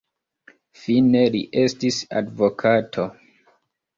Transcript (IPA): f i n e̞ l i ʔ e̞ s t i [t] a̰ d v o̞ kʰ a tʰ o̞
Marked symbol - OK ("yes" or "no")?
no